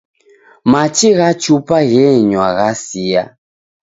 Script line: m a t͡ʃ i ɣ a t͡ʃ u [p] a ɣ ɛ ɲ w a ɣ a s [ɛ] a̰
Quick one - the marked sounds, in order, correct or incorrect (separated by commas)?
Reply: correct, incorrect